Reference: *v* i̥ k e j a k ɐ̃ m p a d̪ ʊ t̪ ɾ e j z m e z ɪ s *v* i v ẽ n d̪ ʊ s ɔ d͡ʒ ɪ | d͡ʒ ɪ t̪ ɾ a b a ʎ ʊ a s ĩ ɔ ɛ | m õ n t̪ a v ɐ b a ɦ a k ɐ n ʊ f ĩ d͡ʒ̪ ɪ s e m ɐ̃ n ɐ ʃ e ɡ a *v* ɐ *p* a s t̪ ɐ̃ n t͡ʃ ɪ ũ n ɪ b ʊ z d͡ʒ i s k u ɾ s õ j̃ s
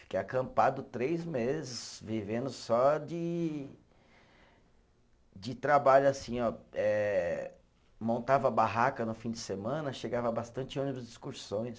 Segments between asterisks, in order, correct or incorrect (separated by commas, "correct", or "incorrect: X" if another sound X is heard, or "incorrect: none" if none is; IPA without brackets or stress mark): incorrect: f, correct, correct, incorrect: b